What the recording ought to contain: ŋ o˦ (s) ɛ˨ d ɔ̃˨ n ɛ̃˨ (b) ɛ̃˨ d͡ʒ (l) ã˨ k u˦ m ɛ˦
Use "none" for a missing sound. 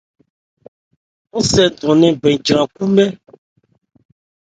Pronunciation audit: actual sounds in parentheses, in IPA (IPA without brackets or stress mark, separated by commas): s, b, ɾ